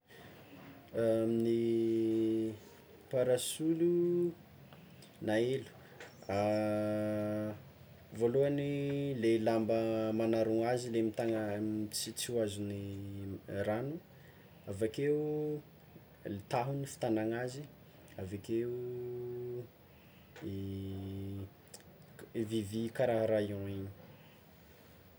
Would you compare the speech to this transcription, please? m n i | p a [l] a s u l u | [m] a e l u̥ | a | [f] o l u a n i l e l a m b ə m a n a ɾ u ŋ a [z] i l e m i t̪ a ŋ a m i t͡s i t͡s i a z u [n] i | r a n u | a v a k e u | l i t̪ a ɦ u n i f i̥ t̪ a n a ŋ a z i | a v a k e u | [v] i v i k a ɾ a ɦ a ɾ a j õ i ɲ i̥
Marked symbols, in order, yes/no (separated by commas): no, no, no, yes, yes, yes